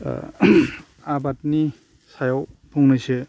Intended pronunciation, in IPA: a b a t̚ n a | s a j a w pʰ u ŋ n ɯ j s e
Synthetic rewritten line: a b a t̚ n i | s a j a w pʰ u ŋ n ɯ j s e